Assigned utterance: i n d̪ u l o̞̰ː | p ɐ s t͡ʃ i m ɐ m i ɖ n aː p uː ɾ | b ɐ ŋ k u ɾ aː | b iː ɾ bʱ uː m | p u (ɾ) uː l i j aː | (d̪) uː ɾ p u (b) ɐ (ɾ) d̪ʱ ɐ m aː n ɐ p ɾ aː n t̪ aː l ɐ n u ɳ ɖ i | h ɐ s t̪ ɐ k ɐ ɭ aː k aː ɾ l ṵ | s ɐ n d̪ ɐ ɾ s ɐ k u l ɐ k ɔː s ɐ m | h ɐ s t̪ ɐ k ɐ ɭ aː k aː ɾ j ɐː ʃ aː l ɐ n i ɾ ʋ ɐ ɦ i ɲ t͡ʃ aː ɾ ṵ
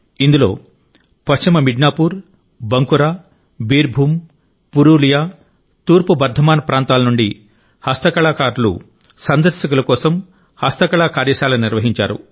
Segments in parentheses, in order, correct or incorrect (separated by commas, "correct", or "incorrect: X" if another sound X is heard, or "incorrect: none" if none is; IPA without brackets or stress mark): correct, incorrect: t̪, correct, correct